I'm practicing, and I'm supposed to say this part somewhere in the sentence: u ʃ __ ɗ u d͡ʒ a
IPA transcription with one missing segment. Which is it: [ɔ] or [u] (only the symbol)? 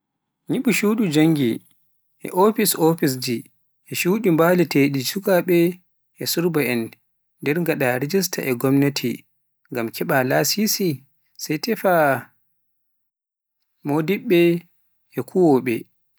u